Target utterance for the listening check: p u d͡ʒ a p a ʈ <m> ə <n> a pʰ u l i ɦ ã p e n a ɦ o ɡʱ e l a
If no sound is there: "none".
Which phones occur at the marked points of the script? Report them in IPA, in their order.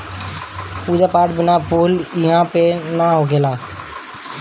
b, n

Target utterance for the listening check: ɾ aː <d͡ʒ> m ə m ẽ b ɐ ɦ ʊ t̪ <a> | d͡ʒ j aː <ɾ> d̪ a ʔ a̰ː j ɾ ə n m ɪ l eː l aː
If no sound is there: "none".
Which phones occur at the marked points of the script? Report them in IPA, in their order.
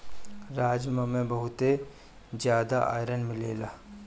d͡ʒ, e, none

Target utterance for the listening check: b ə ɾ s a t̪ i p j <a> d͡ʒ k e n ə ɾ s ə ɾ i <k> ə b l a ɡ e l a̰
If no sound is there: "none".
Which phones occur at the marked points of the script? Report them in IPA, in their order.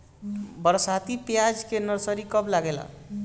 a, k

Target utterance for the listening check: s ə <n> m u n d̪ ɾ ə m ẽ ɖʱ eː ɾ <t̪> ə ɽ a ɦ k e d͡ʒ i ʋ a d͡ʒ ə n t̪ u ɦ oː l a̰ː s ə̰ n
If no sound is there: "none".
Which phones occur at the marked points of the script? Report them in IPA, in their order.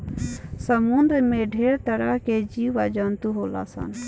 none, t̪

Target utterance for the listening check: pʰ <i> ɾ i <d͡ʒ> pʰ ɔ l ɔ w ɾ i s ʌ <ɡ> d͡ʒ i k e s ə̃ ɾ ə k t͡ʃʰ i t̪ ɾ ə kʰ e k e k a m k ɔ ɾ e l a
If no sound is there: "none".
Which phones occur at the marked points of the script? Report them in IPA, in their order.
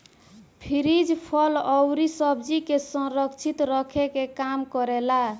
i, d͡ʒ, b

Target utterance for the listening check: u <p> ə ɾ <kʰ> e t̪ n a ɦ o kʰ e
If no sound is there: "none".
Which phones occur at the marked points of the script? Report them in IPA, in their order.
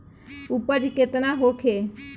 p, k

